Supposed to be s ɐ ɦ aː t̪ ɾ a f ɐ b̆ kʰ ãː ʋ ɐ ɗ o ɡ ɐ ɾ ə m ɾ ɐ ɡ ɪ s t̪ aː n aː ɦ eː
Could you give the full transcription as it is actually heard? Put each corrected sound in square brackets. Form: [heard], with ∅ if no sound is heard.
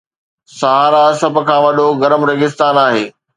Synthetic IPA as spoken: s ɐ ɦ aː [∅] ɾ a [s] ɐ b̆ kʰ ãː ʋ ɐ ɗ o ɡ ɐ ɾ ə m ɾ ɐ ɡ ɪ s t̪ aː n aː ɦ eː